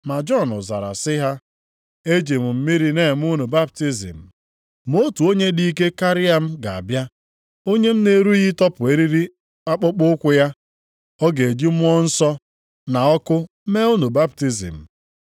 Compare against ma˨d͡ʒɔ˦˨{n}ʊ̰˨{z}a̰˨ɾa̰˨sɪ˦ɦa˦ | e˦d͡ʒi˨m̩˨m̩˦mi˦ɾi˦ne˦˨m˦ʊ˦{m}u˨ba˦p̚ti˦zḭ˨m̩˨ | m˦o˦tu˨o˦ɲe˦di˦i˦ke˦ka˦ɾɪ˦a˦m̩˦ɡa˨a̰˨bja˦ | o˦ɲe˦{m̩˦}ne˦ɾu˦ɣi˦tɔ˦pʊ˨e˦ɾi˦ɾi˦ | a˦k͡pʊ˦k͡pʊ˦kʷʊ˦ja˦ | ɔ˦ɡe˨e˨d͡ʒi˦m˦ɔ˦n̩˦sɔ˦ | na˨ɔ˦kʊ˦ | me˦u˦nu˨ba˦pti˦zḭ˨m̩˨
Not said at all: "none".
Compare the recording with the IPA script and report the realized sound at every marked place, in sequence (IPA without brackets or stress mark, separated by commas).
n, z, n, m̩˦